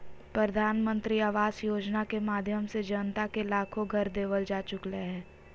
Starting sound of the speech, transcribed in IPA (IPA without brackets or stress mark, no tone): p